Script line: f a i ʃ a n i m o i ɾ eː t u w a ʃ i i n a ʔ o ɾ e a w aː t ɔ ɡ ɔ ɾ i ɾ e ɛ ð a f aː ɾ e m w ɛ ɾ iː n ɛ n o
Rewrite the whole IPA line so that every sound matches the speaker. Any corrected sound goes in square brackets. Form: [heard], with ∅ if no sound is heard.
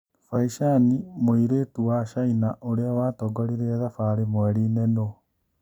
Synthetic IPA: f a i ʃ a n i m o i ɾ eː t u w a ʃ [a] i n a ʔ o ɾ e a w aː t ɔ ɡ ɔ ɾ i ɾ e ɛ ð a f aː ɾ e m w ɛ ɾ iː n ɛ n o